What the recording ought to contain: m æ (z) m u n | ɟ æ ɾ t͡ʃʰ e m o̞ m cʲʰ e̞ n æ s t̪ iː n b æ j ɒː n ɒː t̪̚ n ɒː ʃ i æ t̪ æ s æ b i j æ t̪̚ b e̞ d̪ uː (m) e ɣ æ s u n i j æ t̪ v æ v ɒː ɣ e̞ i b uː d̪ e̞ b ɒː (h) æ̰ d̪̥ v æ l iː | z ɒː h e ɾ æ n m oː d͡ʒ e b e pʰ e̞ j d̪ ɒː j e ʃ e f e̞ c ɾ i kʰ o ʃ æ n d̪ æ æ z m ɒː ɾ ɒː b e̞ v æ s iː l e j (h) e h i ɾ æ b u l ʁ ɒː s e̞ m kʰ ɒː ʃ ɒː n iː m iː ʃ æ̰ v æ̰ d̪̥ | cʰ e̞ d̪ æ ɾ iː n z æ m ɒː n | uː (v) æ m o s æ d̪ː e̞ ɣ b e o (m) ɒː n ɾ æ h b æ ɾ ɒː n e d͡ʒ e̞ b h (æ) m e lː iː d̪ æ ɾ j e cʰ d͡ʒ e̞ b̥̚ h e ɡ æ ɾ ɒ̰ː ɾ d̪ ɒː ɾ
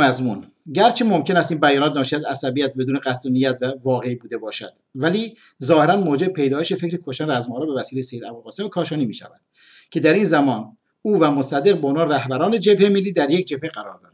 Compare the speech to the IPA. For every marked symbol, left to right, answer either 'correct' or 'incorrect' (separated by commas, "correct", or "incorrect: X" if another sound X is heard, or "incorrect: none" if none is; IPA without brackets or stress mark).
correct, incorrect: n, incorrect: ʃ, incorrect: s, correct, incorrect: n, incorrect: e